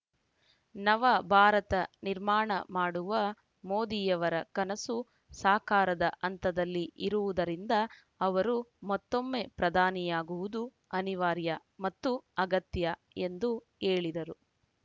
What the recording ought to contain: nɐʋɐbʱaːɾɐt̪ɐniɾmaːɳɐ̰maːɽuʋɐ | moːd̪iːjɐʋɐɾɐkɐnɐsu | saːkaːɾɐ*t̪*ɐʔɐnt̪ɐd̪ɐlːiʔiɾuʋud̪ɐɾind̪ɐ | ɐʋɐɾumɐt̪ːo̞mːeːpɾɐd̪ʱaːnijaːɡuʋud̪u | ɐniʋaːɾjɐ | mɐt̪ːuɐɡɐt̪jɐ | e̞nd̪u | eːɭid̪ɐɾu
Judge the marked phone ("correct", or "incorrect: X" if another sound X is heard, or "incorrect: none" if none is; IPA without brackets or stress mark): incorrect: d̪